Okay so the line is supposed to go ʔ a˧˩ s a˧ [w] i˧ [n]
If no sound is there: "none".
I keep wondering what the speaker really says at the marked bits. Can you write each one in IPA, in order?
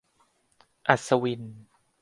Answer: w, n

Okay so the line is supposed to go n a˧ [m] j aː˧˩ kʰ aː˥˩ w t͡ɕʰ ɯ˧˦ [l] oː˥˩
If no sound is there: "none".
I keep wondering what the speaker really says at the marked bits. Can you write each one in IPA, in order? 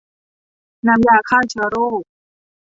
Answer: m, ɾ

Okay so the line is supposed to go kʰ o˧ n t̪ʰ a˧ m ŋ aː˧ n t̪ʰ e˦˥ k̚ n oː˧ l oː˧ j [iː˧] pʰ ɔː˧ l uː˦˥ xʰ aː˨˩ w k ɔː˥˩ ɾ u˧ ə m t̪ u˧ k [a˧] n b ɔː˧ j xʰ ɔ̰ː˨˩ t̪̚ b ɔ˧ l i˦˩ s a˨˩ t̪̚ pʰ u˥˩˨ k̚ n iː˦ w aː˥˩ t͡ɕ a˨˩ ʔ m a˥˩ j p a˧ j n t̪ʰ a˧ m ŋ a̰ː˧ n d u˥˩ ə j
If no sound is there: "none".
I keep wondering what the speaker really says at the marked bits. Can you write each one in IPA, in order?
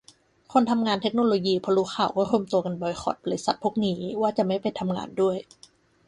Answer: iː˧, a˧

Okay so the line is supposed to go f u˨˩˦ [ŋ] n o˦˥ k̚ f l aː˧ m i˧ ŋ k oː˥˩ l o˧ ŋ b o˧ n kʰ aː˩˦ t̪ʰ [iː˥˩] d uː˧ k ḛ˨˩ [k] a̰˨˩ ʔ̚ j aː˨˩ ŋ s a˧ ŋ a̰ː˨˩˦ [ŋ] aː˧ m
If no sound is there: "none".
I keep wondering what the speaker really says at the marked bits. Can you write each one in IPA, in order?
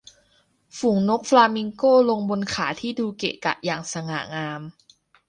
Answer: ŋ, iː˥˩, k, ŋ

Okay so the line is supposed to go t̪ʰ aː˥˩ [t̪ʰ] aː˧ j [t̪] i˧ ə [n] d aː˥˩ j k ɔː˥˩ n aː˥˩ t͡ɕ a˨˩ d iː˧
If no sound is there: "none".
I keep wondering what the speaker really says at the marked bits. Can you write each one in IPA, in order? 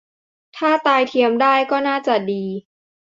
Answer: t̪, t̪ʰ, m

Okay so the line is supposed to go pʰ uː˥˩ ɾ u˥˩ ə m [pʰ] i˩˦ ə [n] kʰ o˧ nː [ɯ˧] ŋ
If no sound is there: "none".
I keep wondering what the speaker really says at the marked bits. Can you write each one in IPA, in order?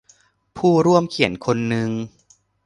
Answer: kʰ, n, ɯ˧

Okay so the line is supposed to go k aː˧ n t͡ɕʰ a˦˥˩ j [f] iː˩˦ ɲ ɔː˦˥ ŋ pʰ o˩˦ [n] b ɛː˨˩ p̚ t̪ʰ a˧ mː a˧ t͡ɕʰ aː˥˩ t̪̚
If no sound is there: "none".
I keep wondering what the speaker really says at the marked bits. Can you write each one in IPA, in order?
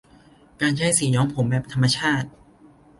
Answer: s, m

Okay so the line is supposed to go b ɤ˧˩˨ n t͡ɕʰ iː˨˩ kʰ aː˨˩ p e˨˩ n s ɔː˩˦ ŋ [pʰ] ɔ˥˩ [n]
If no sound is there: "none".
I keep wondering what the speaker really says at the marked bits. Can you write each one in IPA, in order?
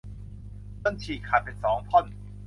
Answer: pʰ, n

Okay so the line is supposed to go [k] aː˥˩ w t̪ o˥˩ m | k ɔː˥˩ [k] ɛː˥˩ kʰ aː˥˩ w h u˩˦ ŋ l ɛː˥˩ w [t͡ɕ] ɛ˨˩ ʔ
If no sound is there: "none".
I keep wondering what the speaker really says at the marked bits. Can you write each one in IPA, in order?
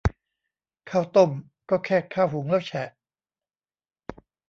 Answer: kʰ, kʰ, t͡ɕʰ

